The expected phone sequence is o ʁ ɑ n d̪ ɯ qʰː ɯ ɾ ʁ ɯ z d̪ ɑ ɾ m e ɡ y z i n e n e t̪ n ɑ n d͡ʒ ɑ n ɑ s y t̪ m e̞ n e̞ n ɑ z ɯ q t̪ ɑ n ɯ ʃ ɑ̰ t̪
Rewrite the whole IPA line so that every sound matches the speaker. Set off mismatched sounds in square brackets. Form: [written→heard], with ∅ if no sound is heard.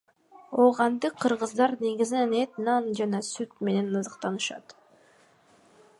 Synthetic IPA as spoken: o ʁ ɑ n d̪ ɯ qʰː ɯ ɾ ʁ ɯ z d̪ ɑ ɾ [m→n] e ɡ [y→i] z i n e n e t̪ n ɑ n d͡ʒ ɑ n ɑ s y t̪ m e̞ n e̞ n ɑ z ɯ q t̪ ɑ n ɯ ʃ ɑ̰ t̪